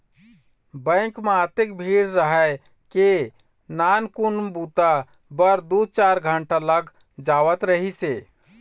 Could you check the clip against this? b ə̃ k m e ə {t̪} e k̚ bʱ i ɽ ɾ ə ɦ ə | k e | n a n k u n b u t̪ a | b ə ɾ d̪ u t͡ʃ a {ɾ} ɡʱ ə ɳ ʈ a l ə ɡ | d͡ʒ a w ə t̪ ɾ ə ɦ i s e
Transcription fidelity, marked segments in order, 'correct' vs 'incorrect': correct, correct

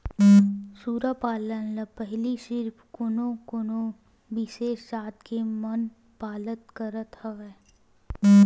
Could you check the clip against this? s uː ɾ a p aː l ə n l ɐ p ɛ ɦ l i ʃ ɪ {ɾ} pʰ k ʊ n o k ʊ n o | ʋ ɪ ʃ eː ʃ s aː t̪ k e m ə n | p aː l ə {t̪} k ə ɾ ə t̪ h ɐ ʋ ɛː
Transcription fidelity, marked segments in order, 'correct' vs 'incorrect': correct, correct

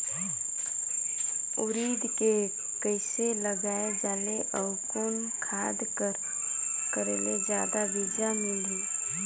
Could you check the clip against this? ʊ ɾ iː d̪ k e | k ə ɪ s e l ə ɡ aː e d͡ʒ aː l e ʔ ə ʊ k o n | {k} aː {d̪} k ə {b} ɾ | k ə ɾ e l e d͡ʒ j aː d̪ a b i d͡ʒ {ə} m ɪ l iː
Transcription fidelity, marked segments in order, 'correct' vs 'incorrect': incorrect: kʰ, correct, incorrect: none, incorrect: a

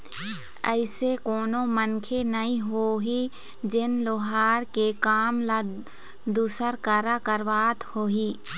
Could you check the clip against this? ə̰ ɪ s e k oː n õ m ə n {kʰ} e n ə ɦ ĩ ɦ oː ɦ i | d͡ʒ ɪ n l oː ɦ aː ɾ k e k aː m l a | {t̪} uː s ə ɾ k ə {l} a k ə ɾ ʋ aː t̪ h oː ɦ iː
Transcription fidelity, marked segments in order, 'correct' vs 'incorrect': correct, incorrect: d̪, incorrect: ɾ

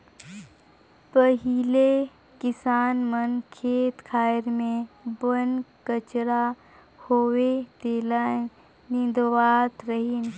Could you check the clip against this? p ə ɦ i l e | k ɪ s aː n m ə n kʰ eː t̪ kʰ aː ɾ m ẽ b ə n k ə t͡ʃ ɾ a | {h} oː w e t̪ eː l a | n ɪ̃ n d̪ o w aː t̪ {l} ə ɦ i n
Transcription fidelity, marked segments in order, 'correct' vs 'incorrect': correct, incorrect: ɾ

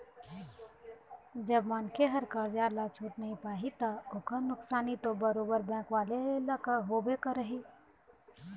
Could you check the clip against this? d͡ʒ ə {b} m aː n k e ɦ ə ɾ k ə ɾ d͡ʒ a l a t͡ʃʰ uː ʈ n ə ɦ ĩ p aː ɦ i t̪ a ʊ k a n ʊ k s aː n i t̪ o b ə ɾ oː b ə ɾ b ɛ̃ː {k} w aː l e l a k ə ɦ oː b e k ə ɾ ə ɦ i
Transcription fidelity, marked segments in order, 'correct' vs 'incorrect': correct, correct

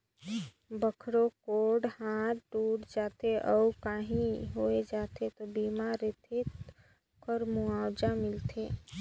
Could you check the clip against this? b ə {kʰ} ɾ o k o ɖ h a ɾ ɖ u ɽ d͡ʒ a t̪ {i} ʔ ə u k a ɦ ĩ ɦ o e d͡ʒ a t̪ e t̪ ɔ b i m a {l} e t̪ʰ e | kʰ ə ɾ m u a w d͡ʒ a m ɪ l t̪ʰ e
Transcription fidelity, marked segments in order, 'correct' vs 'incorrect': correct, incorrect: e, incorrect: ɾ

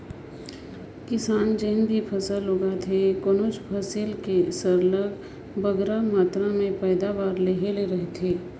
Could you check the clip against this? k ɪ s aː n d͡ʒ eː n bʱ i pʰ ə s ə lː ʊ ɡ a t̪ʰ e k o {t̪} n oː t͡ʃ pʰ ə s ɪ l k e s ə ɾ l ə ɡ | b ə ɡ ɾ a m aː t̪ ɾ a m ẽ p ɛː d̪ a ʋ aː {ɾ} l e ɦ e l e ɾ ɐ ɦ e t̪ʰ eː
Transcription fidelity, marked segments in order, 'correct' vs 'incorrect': incorrect: none, correct

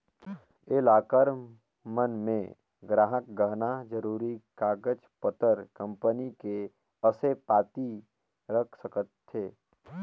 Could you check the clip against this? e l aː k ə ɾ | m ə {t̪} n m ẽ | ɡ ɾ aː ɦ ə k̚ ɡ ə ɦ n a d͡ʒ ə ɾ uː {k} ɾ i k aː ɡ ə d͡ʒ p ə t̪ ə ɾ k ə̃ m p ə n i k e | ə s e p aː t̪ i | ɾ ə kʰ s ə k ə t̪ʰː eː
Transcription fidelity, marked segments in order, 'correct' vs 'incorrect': incorrect: none, incorrect: none

